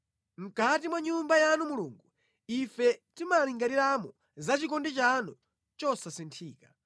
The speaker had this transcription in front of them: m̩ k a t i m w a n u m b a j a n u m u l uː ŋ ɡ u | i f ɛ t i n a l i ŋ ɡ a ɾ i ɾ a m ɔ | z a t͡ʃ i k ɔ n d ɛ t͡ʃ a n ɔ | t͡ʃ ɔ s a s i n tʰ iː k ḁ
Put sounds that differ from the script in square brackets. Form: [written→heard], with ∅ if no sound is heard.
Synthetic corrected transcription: m̩ k a t i m w a [n→ɲ] u m b a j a n u m u l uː ŋ ɡ u | i f ɛ t i [n→m] a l i ŋ ɡ a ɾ i ɾ a m ɔ | z a t͡ʃ i k ɔ n d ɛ t͡ʃ a n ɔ | t͡ʃ ɔ s a s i n tʰ iː k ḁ